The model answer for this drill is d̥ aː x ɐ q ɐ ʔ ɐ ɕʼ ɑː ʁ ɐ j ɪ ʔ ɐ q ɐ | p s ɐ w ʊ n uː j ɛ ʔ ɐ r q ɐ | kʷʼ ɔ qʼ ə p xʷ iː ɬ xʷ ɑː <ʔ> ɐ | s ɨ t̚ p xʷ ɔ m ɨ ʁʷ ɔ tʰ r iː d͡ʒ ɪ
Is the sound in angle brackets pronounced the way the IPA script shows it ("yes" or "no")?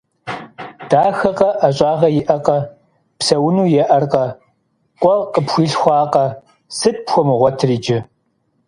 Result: no